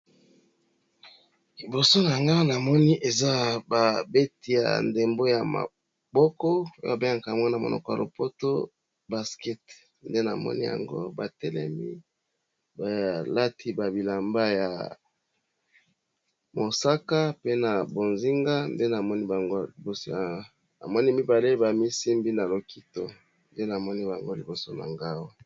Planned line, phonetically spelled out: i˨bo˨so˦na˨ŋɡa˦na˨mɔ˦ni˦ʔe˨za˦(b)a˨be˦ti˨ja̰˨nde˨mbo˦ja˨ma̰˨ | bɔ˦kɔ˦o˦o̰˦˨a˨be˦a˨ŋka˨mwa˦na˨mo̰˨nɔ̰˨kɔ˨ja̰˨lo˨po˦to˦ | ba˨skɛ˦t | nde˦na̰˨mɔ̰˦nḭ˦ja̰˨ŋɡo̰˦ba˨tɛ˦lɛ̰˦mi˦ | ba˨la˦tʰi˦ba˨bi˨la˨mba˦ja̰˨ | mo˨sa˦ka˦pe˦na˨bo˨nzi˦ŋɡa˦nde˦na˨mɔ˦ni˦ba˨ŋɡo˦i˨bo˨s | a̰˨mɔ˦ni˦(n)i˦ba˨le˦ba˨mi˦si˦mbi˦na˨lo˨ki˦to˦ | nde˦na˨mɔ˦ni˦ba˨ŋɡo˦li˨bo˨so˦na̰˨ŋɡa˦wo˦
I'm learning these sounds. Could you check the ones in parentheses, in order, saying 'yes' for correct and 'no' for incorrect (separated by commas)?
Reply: yes, no